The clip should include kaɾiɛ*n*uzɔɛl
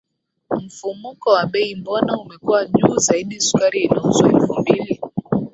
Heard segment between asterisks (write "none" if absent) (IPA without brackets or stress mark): n